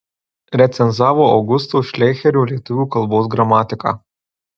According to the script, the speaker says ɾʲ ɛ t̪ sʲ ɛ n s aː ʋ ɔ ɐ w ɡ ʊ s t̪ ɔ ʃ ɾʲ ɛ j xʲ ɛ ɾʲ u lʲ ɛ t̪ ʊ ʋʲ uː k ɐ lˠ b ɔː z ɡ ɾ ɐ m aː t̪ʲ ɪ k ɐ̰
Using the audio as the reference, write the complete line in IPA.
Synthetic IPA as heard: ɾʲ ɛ t̪ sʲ ɛ n z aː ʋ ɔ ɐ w ɡ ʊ s t̪ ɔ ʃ lʲ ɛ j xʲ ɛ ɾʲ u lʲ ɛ t̪ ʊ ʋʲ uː k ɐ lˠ b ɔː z ɡ ɾ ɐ m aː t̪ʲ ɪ k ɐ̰